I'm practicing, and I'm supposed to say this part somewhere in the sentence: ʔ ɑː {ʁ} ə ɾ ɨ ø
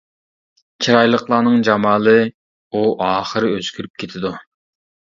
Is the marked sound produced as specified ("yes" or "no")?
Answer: no